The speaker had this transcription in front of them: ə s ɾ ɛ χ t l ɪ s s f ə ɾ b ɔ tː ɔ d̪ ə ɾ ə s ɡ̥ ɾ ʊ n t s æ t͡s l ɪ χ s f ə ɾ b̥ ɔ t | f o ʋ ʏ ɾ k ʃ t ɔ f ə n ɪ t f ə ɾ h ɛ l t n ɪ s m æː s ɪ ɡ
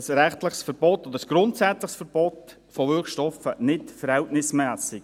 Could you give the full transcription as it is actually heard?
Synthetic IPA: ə s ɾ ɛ χ t l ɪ χ s f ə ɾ b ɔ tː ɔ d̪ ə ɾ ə s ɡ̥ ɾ ʊ n t s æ t͡s l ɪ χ s f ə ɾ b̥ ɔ t | f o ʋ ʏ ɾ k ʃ t ɔ f ə n ɪ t f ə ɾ h ɛ l t n ɪ s m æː s ɪ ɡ